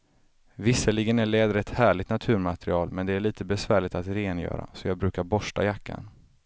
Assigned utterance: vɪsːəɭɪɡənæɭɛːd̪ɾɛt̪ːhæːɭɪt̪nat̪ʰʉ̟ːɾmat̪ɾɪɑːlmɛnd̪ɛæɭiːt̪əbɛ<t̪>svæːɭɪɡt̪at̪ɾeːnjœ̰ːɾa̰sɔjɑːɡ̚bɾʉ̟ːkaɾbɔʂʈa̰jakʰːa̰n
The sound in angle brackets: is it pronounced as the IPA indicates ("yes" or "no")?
no